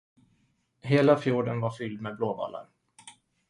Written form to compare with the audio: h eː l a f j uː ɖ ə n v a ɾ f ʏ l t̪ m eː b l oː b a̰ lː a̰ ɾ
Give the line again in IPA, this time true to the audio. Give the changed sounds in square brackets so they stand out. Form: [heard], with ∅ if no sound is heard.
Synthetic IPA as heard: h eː l a f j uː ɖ ə n v a ɾ f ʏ l [d̪] m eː b l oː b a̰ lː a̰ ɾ